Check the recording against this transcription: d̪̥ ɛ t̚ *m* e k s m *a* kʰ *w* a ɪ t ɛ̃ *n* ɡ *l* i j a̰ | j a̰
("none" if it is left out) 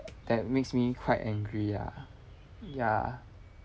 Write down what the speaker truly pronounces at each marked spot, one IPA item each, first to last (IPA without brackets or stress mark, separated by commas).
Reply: m, i, w, ŋ, ɹ